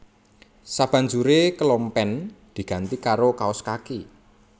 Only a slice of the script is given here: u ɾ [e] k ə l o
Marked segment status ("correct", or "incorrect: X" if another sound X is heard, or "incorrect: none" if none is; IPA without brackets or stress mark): correct